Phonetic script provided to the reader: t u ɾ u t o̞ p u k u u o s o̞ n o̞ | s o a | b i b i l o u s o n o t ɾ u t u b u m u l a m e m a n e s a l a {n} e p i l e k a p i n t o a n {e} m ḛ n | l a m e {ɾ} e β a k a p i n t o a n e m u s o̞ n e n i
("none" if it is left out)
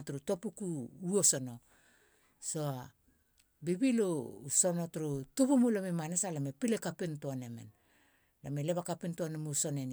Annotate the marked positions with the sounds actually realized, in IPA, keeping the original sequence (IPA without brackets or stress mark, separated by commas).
m, e, l